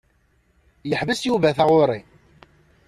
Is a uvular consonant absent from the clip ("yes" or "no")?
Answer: no